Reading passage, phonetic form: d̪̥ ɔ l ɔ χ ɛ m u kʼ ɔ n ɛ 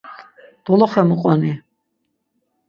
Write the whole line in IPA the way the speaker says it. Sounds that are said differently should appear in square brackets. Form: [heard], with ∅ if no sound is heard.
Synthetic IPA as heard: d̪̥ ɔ l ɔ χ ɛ m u [qʼ] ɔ n [i]